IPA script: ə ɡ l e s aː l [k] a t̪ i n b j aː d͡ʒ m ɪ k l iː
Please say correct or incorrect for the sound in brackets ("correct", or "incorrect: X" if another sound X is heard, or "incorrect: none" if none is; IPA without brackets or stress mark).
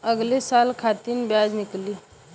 incorrect: kʰ